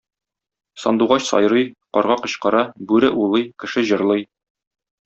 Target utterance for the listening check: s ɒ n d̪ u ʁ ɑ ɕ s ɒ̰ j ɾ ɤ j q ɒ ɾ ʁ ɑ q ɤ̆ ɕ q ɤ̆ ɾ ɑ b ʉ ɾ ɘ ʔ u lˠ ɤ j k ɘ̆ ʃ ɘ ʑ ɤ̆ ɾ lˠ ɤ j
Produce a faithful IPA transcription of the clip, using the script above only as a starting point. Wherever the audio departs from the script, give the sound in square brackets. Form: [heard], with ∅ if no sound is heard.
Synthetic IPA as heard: s ɒ n d̪ u ʁ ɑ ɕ s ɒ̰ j ɾ ɤ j q ɒ ɾ ʁ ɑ q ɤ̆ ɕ q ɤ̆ ɾ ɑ b ʉ ɾ ɘ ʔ u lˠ ɤ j k ɘ̆ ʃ ɘ ʑ ɤ̆ ɾ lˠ ɤ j